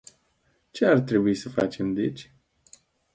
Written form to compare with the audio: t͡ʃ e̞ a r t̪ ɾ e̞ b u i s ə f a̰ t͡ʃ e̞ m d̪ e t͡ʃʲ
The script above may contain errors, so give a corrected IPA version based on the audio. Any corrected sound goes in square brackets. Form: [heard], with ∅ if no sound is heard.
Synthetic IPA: t͡ʃ e̞ a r t̪ ɾ e̞ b u i s ə f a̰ t͡ʃ e̞ m d̪ e t͡ʃʲ